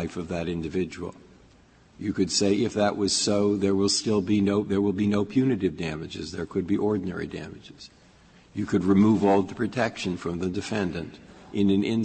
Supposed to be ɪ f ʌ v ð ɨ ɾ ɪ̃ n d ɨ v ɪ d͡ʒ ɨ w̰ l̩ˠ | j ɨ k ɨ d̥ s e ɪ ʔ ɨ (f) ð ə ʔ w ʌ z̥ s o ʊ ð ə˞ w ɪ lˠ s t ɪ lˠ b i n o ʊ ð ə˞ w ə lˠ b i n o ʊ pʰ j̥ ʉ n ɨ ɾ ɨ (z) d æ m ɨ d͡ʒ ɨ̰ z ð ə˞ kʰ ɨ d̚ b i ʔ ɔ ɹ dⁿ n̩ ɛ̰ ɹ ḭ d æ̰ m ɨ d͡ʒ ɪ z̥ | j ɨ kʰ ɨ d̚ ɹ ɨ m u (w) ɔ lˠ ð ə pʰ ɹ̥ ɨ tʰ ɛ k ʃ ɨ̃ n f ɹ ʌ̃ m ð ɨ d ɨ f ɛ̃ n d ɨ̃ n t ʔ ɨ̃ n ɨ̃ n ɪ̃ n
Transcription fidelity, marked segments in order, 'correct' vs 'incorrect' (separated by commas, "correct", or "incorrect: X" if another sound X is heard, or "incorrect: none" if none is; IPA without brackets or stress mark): correct, incorrect: v, incorrect: v